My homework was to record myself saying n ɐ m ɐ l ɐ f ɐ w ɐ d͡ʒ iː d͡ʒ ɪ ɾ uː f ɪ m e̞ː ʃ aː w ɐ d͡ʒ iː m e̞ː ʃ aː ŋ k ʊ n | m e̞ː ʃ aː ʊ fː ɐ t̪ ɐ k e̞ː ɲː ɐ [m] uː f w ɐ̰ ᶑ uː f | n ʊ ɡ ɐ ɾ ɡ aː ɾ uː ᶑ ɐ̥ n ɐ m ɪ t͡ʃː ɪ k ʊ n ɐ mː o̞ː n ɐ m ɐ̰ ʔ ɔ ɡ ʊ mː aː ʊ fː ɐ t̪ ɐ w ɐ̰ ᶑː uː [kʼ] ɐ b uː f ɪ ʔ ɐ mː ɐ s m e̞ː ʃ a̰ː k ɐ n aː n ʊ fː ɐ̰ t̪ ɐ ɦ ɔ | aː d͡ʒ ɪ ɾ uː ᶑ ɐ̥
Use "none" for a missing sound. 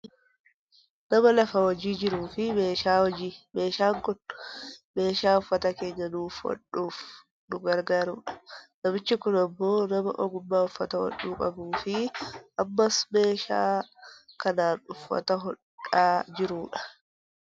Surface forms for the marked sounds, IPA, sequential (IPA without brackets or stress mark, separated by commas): n, kʼ